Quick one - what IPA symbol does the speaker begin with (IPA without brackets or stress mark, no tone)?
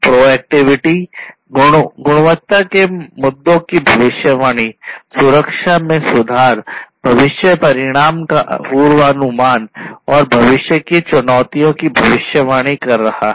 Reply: p